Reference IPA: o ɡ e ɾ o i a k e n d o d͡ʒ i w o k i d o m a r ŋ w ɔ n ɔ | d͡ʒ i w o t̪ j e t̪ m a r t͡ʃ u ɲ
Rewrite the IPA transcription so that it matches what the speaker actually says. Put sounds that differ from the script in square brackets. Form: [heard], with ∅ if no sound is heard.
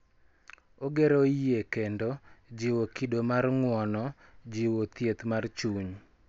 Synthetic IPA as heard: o ɡ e ɾ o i [e] k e n d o d͡ʒ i w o k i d o m a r ŋ w ɔ n ɔ | d͡ʒ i w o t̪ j e t̪ m a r t͡ʃ u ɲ

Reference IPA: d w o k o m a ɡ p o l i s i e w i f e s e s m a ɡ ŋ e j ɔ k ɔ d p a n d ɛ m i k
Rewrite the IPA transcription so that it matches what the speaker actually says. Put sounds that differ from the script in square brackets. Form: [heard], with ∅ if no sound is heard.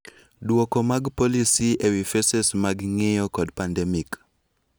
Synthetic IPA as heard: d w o k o m a ɡ p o l i s i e w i f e s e s m a ɡ ŋ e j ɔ k ɔ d p a n d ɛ m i k

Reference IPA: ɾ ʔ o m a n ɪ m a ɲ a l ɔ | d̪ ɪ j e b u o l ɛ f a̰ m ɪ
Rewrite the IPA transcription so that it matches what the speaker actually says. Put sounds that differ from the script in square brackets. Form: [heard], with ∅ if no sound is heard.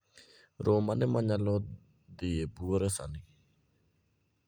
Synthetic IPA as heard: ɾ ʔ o m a n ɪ m a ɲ a l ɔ | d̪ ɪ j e b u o [ɾ] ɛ [s] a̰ [n] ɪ

